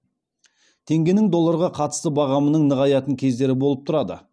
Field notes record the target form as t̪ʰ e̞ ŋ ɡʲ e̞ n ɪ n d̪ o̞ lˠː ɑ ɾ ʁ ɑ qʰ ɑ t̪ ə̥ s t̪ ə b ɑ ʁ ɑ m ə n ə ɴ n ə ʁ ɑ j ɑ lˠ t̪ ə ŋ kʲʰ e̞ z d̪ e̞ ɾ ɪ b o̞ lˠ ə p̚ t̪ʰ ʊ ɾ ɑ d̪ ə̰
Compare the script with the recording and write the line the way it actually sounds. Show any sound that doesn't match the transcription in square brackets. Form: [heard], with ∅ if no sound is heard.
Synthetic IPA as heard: t̪ʰ e̞ ŋ ɡʲ e̞ n ɪ [ŋ] d̪ o̞ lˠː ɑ ɾ ʁ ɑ qʰ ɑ t̪ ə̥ s t̪ ə b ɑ ʁ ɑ m ə n ə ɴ n ə ʁ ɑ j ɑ [∅] t̪ ə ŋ kʲʰ e̞ z d̪ e̞ ɾ ɪ b o̞ lˠ ə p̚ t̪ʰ ʊ ɾ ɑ d̪ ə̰